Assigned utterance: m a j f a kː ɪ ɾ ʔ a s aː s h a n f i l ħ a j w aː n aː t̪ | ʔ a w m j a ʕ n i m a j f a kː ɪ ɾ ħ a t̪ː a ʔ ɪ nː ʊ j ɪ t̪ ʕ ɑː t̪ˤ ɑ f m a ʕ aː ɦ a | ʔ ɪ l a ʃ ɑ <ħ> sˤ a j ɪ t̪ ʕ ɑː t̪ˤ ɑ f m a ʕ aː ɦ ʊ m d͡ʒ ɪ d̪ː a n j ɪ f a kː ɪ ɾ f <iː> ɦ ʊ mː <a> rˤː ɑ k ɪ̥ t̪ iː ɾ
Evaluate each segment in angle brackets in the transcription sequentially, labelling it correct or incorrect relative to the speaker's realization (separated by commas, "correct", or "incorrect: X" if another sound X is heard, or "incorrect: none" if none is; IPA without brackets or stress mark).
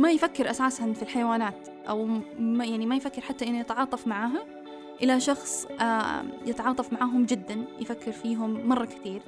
incorrect: x, correct, incorrect: ɑ